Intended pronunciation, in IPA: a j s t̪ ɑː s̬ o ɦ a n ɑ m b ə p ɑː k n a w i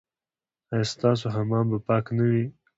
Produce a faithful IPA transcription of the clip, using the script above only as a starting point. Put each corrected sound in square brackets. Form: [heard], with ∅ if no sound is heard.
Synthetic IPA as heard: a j s t̪ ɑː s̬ o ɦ a [m] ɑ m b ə p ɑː k n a w i